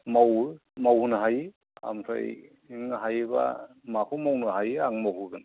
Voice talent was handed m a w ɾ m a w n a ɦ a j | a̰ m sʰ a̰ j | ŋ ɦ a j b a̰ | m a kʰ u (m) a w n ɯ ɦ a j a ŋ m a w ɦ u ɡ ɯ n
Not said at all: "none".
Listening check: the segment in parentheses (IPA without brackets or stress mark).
m